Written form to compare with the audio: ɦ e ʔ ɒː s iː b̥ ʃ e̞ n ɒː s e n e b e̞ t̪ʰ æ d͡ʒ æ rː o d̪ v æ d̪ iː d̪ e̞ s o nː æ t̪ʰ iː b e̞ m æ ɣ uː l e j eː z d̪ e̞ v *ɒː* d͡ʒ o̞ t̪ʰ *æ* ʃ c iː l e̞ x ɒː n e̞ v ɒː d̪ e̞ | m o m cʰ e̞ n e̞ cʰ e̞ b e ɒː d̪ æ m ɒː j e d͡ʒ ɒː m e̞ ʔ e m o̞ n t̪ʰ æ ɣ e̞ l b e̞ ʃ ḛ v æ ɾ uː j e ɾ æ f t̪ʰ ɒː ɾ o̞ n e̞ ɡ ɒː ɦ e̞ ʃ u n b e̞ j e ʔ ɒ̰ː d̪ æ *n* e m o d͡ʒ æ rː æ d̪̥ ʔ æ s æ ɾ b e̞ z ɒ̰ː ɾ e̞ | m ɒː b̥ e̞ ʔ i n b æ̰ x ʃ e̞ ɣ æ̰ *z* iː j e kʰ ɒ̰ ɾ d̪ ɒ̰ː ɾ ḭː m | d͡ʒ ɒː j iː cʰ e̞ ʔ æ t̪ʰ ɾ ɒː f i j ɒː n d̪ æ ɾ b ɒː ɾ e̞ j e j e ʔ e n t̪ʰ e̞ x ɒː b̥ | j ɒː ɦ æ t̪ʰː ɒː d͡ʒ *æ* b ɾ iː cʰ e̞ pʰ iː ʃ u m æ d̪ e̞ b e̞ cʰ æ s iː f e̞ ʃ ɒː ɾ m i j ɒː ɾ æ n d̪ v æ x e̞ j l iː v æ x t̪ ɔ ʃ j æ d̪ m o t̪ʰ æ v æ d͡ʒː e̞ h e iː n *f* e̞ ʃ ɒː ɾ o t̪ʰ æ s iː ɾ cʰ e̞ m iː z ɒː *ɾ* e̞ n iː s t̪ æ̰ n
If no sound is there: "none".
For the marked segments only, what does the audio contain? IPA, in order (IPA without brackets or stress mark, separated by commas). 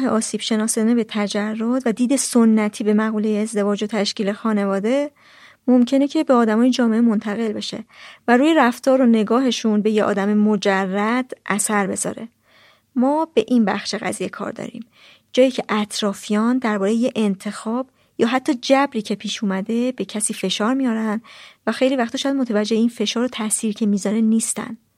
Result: ɒː, æ, m, z, æ, f, ɾ